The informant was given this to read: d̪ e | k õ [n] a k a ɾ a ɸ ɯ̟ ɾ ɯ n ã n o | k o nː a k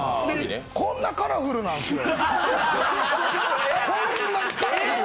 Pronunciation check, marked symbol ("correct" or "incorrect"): incorrect